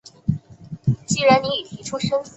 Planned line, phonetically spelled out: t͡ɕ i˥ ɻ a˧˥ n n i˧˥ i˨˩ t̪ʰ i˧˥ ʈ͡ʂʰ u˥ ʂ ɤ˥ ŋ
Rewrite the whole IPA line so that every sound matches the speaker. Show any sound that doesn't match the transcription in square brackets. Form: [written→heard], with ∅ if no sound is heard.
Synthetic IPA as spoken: t͡ɕ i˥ ɻ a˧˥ n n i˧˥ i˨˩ t̪ʰ i˧˥ ʈ͡ʂʰ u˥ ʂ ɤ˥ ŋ